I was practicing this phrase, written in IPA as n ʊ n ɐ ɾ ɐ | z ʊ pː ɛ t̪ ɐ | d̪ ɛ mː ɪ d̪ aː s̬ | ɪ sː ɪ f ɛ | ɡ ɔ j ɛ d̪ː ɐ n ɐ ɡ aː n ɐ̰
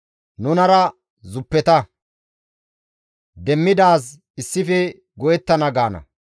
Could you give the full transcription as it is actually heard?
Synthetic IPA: n ʊ n ɐ ɾ ɐ | z ʊ pː ɛ t̪ ɐ | d̪ ɛ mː ɪ d̪ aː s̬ | ɪ sː ɪ f ɛ | ɡ ɔ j ɛ t̪ː ɐ n ɐ ɡ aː n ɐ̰